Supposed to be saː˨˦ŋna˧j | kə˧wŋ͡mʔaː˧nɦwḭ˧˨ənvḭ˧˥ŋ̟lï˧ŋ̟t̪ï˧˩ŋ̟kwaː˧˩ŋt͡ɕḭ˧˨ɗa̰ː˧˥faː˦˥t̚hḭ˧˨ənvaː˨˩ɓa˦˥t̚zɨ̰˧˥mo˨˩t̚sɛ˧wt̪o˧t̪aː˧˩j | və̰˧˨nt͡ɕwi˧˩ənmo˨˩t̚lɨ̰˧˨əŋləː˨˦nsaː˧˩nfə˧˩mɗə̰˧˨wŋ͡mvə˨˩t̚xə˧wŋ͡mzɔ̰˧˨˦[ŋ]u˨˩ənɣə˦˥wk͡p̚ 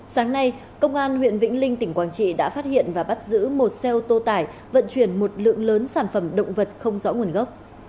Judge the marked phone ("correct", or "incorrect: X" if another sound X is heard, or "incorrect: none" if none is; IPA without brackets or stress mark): correct